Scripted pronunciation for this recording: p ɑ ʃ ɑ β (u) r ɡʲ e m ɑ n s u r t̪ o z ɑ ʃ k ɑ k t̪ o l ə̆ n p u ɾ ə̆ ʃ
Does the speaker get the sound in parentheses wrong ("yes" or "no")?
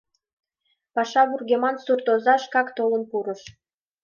no